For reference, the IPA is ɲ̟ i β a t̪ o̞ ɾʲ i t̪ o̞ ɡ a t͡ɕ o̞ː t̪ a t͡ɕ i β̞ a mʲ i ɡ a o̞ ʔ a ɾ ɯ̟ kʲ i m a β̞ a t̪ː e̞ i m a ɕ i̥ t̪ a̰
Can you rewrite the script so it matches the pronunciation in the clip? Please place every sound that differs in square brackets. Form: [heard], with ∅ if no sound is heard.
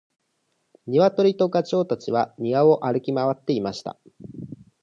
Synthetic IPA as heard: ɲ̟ i β a t̪ o̞ ɾʲ i t̪ o̞ ɡ a t͡ɕ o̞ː t̪ a t͡ɕ i β̞ a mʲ i ɡ a o̞ ʔ a ɾ ɯ̟ kʲ i m a β̞ a t̪ː e̞ i m a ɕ i̥ t̪ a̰